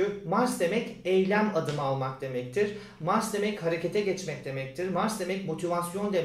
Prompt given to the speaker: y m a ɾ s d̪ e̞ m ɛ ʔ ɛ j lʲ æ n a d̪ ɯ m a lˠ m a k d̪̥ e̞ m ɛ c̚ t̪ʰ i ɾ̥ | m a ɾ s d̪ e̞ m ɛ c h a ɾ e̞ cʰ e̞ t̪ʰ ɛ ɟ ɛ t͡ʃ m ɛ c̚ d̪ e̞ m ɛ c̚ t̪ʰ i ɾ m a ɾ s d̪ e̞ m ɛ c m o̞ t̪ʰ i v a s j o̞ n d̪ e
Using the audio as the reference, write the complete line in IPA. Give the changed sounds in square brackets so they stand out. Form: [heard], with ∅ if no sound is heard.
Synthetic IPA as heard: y m a ɾ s d̪ e̞ m ɛ [c] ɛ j lʲ æ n a d̪ ɯ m a lˠ m a k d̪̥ e̞ m ɛ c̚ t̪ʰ i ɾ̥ | m a ɾ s d̪ e̞ m ɛ c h a ɾ e̞ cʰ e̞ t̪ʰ ɛ ɟ ɛ t͡ʃ m ɛ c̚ d̪ e̞ m ɛ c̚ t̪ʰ i ɾ m a ɾ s d̪ e̞ m ɛ c m o̞ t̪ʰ i v a s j o̞ n d̪ e